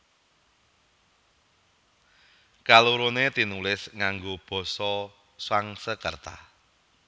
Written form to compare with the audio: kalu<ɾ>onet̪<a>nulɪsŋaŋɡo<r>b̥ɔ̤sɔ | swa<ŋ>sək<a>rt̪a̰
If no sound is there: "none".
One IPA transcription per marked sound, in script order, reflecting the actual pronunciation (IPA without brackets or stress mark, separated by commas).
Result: ɾ, i, none, ŋ, ə